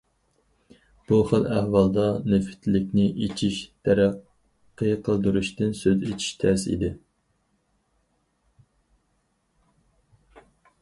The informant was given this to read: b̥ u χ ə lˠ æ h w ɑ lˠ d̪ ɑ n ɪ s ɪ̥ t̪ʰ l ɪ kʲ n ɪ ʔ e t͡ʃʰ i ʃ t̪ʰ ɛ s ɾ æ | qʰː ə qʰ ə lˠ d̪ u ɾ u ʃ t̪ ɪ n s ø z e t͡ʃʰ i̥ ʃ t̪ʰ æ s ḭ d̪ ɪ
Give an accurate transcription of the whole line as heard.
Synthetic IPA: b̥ u χ ə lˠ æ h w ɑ lˠ d̪ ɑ n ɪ f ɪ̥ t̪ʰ l ɪ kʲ n ɪ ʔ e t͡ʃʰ i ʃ t̪ʰ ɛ ɾ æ | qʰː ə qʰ ə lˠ d̪ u ɾ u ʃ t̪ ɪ n s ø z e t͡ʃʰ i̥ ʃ t̪ʰ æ s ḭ d̪ ɪ